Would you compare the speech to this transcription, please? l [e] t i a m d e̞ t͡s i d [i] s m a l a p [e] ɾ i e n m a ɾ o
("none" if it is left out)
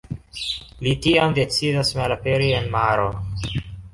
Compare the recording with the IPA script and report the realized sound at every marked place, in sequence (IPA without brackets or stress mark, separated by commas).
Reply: i, a, e